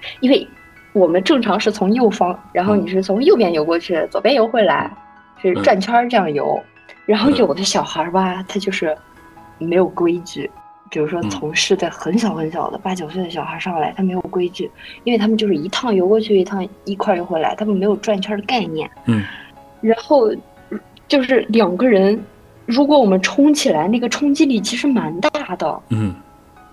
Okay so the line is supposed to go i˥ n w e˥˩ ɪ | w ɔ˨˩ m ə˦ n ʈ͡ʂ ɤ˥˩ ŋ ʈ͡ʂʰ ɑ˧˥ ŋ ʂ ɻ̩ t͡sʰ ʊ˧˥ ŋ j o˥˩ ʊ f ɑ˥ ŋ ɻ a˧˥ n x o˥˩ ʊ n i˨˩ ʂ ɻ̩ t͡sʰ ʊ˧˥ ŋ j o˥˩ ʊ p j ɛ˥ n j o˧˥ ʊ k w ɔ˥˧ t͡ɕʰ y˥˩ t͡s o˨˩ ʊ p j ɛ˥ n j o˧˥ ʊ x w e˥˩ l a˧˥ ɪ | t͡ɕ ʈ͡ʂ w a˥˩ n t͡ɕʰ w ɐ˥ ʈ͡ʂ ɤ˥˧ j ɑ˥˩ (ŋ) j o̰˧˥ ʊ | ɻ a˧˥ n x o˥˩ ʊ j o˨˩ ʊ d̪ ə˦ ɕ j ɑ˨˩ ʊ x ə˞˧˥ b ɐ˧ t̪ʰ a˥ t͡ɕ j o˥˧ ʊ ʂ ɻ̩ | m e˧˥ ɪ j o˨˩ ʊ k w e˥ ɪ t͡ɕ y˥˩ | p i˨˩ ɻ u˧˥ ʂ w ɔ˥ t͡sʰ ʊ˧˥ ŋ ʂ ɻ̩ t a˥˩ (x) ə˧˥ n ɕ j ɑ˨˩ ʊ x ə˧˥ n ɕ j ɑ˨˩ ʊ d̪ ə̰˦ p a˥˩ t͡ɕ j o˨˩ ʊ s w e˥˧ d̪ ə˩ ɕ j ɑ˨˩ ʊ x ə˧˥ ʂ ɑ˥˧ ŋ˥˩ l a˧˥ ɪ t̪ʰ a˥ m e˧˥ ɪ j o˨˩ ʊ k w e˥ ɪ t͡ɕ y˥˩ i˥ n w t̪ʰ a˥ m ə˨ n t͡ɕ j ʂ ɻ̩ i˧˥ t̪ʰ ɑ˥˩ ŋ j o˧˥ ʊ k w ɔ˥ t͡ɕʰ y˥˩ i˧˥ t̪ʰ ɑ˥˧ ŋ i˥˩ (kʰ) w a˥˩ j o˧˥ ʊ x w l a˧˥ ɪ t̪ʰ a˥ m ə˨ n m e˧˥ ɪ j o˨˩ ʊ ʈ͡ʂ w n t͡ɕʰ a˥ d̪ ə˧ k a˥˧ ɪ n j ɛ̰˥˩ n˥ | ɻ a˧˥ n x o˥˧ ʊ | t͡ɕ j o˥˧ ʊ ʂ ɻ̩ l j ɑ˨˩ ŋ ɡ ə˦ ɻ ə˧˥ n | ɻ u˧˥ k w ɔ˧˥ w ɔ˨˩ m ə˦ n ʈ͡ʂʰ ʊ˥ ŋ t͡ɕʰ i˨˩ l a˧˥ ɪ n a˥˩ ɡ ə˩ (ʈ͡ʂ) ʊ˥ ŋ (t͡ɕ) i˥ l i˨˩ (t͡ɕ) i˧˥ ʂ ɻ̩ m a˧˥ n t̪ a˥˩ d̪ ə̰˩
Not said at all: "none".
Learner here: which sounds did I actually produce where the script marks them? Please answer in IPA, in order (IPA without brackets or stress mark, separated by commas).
ŋ, x, kʰ, ʈ͡ʂʰ, t͡ɕ, t͡ɕʰ